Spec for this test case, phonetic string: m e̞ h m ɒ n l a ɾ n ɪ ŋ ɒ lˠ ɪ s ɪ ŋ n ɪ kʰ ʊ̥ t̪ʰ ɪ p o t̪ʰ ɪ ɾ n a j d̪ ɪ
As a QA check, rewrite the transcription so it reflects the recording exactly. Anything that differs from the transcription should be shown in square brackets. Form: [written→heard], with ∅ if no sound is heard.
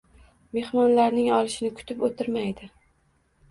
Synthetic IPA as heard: m e̞ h m ɒ n l a ɾ n ɪ ŋ ɒ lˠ ɪ [s→ʃ] ɪ [ŋ→∅] n ɪ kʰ ʊ̥ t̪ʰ ɪ p o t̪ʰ ɪ ɾ [n→m] a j d̪ ɪ